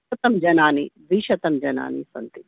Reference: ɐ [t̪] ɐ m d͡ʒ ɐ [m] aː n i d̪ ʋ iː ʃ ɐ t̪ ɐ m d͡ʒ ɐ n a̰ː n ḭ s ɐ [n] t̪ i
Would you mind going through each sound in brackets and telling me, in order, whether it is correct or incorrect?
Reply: correct, incorrect, correct

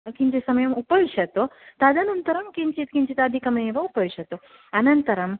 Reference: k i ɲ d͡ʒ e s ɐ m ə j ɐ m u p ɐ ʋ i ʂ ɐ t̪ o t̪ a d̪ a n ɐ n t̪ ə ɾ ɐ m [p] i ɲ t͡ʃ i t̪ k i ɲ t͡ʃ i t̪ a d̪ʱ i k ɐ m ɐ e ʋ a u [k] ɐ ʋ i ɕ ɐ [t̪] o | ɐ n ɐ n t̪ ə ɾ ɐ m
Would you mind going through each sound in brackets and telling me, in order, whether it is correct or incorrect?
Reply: incorrect, incorrect, correct

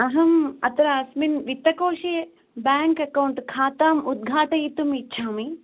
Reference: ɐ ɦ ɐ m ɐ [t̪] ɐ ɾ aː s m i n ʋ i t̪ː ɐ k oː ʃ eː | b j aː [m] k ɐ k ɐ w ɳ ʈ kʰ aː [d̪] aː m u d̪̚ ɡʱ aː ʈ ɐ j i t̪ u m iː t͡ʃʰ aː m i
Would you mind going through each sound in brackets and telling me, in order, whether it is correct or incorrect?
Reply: correct, incorrect, incorrect

